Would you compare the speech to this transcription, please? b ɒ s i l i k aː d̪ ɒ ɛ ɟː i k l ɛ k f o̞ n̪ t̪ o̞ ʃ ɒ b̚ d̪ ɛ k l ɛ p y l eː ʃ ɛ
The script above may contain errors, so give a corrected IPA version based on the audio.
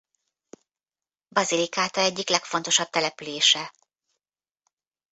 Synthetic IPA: b ɒ z i l i k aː t̪ ɒ ɛ ɟː i k l ɛ k f o̞ n̪ t̪ o̞ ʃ ɒ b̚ t̪ ɛ l ɛ p y l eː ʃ ɛ

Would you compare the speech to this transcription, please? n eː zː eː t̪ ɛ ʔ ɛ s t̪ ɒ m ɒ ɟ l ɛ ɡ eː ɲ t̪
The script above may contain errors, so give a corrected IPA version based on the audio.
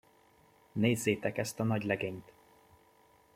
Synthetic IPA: n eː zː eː t̪ ɛ k ɛ s t̪ ɒ n ɒ ɟ l ɛ ɡ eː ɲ t̪

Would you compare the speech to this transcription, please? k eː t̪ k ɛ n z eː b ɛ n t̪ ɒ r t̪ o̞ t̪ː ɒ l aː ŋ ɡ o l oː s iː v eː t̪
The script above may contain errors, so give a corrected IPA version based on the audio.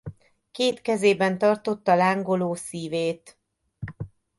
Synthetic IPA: k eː t̪ k ɛ z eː b ɛ n t̪ ɒ r t̪ o̞ t̪ː ɒ l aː ŋ ɡ o l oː s iː v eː t̪

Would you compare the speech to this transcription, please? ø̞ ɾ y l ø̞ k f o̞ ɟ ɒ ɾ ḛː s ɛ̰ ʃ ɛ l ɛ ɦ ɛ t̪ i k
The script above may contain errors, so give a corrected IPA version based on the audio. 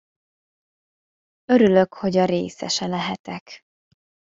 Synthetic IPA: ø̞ ɾ y l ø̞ k h o̞ ɟ ɒ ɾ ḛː s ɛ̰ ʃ ɛ l ɛ ɦ ɛ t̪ ɛ k

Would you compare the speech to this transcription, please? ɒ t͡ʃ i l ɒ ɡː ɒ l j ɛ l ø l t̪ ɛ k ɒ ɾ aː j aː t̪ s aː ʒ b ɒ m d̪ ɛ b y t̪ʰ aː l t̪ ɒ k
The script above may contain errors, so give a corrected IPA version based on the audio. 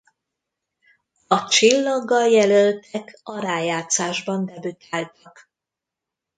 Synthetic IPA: ɒ t͡ʃ i lː ɒ ɡː ɒ l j ɛ l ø l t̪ ɛ k ɒ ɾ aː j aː t̪ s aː ʒ b ɒ n d̪ ɛ b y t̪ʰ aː l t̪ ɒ k

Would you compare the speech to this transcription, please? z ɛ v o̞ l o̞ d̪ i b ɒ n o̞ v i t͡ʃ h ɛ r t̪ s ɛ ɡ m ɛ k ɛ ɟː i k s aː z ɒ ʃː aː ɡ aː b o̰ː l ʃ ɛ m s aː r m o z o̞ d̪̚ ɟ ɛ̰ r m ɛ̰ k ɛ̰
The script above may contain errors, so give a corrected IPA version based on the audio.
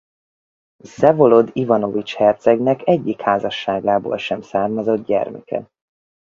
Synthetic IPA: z ɛ v o̞ l o̞ d̪ i v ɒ n o̞ v i t͡ʃ h ɛ r t̪ s ɛ ɡ n ɛ k ɛ ɟː i k h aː z ɒ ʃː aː ɡ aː b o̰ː l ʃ ɛ m s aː r m ɒ z o̞ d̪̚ ɟ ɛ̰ r m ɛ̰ k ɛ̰

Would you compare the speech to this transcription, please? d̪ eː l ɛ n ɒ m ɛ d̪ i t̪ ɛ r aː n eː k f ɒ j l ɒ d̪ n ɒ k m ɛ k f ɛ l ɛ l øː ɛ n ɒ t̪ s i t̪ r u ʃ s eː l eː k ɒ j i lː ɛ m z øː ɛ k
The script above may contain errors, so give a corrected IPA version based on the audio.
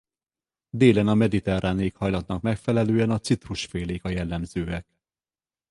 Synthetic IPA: d̪ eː l ɛ n ɒ m ɛ d̪ i t̪ ɛ r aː n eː k h ɒ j l ɒ t̪ n ɒ k m ɛ k f ɛ l ɛ l øː ɛ n ɒ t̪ s i t̪ r u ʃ f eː l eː k ɒ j ɛ lː ɛ m z øː ɛ k

